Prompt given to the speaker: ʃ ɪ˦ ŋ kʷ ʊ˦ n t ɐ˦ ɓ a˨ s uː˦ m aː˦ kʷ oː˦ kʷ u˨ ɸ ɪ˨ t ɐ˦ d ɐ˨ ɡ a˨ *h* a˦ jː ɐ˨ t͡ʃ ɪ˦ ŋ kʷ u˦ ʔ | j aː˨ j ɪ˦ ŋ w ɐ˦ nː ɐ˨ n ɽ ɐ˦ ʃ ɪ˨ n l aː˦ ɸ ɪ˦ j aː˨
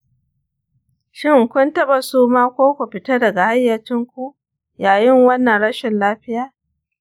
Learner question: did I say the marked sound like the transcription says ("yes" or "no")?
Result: yes